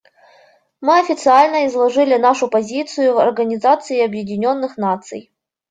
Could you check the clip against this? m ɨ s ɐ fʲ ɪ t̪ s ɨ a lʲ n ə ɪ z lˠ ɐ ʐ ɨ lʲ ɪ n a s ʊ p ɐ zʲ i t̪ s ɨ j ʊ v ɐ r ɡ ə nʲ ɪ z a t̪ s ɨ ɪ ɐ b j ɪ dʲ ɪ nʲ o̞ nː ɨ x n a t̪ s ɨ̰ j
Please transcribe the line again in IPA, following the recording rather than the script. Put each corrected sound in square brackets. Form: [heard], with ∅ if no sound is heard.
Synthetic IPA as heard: m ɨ [∅] ɐ fʲ ɪ t̪ s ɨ a lʲ n ə ɪ z lˠ ɐ ʐ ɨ lʲ ɪ n a [ʂ] ʊ p ɐ zʲ i t̪ s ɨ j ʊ v ɐ r ɡ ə nʲ ɪ z a t̪ s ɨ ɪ ɐ b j ɪ dʲ ɪ nʲ o̞ nː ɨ x n a t̪ s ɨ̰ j

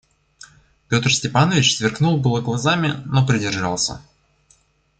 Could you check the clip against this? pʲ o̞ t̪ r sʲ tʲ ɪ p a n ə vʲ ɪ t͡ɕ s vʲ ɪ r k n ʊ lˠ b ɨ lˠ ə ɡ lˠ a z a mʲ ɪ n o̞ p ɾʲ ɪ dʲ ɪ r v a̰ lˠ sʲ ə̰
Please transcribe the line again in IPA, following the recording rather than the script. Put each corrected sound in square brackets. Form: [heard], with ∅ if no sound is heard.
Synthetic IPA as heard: pʲ o̞ t̪ r sʲ tʲ ɪ p a n ə vʲ ɪ t͡ɕ s vʲ ɪ r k n [u] lˠ b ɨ lˠ ə ɡ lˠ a z a mʲ ɪ n o̞ p ɾʲ ɪ dʲ ɪ r [ʐ] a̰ lˠ sʲ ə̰

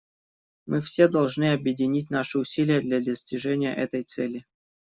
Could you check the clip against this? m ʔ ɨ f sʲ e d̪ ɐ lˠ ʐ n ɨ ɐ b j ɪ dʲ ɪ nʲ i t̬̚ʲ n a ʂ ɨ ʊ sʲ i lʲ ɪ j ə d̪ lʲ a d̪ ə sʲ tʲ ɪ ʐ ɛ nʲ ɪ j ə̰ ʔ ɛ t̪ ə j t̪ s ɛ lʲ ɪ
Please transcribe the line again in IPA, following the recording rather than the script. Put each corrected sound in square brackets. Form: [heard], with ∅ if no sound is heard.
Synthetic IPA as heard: m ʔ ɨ f sʲ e d̪ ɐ lˠ ʐ n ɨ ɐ b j ɪ dʲ ɪ nʲ i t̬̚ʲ n a ʂ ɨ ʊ sʲ i lʲ ɪ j ə d̪ lʲ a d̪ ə sʲ tʲ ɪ ʐ ɛ nʲ ɪ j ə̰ ʔ ɛ t̪ ə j t̪ s ɛ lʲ ɪ

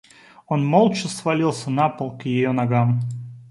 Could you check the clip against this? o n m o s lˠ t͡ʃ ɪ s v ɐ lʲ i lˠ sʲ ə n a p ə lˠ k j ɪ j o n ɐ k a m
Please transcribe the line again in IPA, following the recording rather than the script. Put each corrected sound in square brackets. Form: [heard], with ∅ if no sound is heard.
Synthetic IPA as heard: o n m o [∅] lˠ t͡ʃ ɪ s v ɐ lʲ i lˠ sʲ ə n a p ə lˠ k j ɪ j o n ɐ [ɡ] a m

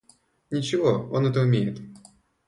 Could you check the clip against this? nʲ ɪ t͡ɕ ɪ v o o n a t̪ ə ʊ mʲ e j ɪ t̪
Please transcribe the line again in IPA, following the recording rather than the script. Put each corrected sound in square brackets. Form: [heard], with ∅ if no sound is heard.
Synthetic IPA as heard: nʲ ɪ t͡ɕ ɪ v o o n [ɛ] t̪ ə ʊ mʲ e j ɪ t̪

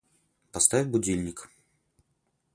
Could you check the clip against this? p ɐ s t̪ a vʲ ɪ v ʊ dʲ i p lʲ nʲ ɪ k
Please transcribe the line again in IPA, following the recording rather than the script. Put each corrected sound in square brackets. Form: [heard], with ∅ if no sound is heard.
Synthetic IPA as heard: p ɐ s t̪ a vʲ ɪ [b] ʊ dʲ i [∅] lʲ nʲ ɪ k

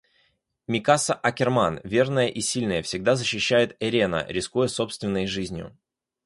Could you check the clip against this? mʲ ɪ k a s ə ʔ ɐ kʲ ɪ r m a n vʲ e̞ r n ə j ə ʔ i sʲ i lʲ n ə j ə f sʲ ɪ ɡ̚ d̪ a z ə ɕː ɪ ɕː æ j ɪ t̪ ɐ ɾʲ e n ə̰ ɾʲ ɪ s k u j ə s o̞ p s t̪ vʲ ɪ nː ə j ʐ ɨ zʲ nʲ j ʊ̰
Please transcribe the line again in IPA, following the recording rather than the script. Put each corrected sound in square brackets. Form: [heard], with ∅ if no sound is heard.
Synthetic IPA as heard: mʲ ɪ k a s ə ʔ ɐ kʲ ɪ r m a n vʲ e̞ r n ə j ə ʔ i sʲ i lʲ n ə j ə f sʲ ɪ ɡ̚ d̪ a z ə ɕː ɪ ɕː æ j ɪ t̪ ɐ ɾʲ e n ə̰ ɾʲ ɪ s k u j ə s o̞ p s t̪ vʲ ɪ nː ə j ʐ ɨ zʲ nʲ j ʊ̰

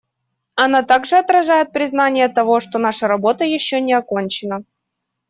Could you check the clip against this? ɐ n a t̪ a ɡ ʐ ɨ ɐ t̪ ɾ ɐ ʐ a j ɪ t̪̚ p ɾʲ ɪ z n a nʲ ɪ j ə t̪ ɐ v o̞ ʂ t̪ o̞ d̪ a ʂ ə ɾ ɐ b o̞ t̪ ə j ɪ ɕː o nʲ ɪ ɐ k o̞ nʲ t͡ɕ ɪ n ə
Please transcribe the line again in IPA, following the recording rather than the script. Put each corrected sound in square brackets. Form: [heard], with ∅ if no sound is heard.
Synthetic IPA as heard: ɐ n a t̪ a ɡ ʐ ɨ ɐ t̪ ɾ ɐ ʐ a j ɪ t̪̚ p ɾʲ ɪ z n a nʲ ɪ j ə t̪ ɐ v o̞ ʂ t̪ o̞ [n̪] a ʂ ə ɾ ɐ b o̞ t̪ ə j ɪ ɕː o nʲ ɪ ɐ k o̞ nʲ t͡ɕ ɪ n ə

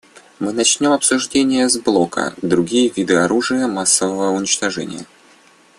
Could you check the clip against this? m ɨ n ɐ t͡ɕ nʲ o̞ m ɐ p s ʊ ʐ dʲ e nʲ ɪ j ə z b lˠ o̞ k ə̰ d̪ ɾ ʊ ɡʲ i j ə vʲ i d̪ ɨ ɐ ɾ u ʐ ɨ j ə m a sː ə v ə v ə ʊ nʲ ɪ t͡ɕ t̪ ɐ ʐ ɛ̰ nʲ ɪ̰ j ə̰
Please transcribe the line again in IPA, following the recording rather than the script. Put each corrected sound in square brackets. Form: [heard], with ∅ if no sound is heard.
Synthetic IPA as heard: m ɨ n ɐ t͡ɕ nʲ o̞ m ɐ p s ʊ ʐ dʲ e nʲ ɪ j ə z b lˠ o̞ k ə̰ d̪ ɾ ʊ ɡʲ i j ə vʲ i d̪ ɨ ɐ ɾ u ʐ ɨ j ə m a sː ə v ə v ə ʊ nʲ ɪ t͡ɕ t̪ ɐ ʐ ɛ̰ nʲ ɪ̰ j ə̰

